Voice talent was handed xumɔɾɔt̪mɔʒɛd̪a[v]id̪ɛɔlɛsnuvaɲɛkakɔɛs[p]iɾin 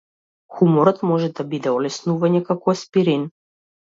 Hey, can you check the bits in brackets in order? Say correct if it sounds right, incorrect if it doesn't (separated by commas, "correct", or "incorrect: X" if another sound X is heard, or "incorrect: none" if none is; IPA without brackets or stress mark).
incorrect: b, correct